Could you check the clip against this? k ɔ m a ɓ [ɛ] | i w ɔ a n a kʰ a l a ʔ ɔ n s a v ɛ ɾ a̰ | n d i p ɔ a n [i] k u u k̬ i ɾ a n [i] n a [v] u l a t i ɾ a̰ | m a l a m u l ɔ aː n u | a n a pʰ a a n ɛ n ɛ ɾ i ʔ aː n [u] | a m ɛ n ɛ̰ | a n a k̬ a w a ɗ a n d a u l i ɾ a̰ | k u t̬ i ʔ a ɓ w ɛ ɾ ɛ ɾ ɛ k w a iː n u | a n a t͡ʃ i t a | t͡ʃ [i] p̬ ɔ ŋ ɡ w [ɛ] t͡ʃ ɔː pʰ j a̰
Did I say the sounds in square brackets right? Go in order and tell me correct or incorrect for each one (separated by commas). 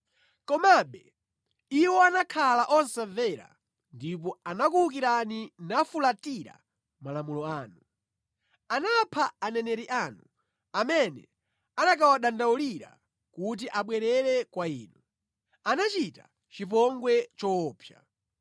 correct, incorrect, correct, incorrect, correct, correct, correct